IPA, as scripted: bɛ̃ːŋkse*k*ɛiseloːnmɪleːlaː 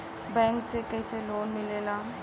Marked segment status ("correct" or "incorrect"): correct